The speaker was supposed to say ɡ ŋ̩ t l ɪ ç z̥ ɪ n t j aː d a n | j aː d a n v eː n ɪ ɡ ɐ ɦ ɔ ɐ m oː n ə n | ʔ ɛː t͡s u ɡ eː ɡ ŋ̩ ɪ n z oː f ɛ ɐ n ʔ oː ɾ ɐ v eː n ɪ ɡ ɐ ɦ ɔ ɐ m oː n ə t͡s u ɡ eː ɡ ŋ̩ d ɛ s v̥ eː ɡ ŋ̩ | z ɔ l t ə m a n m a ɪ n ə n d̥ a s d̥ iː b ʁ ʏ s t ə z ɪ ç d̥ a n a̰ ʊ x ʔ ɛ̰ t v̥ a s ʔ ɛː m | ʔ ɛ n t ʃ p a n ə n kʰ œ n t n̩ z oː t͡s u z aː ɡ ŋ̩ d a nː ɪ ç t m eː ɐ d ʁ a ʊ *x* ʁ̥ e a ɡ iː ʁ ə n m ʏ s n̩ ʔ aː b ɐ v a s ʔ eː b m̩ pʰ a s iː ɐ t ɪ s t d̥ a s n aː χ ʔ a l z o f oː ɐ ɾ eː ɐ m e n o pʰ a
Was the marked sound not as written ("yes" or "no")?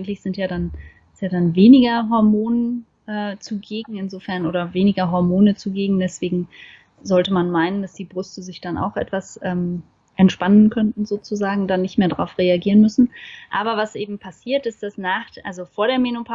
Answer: yes